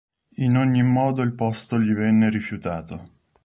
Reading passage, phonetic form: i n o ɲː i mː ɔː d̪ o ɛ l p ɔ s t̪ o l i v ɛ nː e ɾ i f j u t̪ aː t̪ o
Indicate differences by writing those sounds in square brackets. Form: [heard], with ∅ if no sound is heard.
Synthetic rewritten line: i n o ɲː i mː ɔː d̪ o [i] l p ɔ s t̪ o [ʎ] i v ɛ nː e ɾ i f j u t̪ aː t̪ o